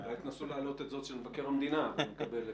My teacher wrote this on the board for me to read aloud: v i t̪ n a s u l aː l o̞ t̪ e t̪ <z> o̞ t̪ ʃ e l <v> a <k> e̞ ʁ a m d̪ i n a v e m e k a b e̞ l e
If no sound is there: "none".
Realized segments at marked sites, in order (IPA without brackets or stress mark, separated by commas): z, v, k